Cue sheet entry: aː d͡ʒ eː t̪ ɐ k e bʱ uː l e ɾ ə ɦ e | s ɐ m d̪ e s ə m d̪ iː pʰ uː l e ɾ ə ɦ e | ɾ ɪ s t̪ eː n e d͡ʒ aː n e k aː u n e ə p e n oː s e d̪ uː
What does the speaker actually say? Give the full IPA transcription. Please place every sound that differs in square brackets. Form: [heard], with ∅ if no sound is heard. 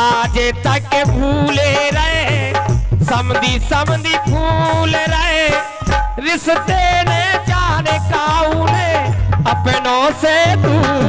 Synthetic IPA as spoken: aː d͡ʒ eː t̪ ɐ k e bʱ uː l e ɾ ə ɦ e | s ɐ m d̪ [i] s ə m d̪ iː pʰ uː l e ɾ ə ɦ e | ɾ ɪ s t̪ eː n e d͡ʒ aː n e k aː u n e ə p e n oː s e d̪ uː